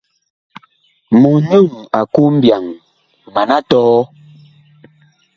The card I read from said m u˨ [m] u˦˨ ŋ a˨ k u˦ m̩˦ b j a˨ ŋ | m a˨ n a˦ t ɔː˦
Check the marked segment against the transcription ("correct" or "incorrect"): incorrect